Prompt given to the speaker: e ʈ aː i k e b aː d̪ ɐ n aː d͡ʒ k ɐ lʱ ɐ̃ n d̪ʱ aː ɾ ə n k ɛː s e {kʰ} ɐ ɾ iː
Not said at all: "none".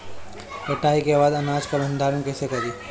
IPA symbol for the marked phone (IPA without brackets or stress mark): k